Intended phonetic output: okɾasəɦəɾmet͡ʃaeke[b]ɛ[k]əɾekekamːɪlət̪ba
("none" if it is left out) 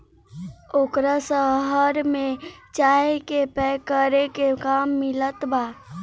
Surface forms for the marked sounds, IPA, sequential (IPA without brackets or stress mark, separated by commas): p, k